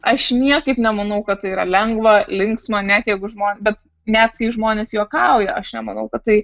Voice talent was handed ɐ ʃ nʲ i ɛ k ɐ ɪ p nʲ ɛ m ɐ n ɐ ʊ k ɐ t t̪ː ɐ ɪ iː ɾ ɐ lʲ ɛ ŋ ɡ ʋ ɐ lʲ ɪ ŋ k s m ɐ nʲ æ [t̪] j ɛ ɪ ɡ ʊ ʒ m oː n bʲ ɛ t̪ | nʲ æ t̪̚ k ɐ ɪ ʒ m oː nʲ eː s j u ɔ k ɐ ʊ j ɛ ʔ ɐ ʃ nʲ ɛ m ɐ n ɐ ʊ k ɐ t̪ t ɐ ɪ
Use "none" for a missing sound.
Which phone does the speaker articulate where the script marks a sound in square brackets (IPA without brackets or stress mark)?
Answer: t̪